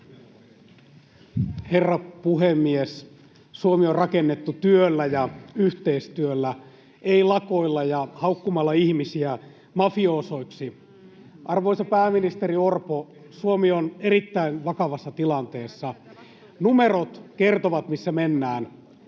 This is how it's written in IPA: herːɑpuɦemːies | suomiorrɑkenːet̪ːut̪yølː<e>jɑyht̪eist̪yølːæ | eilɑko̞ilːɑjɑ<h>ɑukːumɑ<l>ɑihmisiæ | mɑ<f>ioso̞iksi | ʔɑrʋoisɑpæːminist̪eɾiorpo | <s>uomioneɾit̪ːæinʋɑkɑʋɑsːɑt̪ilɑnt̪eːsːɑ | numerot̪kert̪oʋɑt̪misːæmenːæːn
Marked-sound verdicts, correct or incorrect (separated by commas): incorrect, correct, incorrect, correct, correct